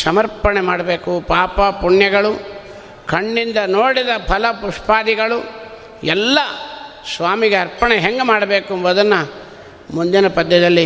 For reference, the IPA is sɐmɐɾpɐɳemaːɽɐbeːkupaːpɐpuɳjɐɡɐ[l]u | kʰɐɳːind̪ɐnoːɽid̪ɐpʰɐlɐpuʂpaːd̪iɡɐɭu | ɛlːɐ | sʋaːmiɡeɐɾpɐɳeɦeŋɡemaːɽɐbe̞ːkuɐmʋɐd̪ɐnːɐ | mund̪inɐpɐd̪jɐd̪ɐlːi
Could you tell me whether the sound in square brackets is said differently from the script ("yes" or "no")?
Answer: yes